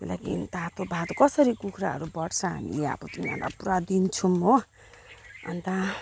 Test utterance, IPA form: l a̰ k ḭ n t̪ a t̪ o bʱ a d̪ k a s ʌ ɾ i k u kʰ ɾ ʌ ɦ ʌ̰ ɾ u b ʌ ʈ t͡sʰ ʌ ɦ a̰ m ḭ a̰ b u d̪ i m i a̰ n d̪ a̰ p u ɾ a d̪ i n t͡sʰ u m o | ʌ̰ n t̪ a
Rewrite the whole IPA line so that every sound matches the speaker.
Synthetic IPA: l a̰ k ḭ n t̪ a t̪ o bʱ a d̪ k ʌ s ʌ ɾ i k u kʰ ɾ a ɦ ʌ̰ ɾ u b ʌ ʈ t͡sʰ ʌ ɦ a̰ m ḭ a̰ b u t̪ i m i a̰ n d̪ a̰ p u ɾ a d̪ i n t͡sʰ u m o | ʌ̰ n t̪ a